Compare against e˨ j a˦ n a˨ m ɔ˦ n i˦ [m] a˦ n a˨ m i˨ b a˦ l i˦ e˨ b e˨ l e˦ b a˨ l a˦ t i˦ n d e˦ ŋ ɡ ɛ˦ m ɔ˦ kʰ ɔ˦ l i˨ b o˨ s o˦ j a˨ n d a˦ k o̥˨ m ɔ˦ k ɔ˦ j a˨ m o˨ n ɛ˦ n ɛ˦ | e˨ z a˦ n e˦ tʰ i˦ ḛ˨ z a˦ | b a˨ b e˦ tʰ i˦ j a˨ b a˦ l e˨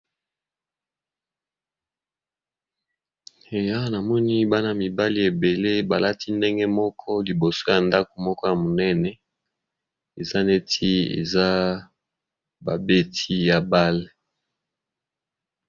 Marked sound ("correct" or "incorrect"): incorrect